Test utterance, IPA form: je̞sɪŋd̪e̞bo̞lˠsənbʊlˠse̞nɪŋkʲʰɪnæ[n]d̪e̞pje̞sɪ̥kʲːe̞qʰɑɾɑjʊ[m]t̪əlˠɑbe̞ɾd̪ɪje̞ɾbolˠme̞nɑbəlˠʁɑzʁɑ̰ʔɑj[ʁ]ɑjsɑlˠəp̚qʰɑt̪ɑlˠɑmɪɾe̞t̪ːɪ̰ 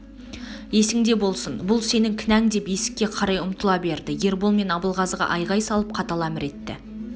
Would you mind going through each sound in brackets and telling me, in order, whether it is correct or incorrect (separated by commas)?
incorrect, correct, correct